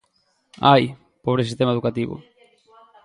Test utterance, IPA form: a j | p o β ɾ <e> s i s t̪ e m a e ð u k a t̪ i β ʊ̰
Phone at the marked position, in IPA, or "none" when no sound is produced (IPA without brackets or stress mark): e